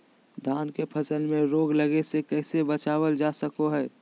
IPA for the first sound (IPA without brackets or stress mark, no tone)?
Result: d̪ʱ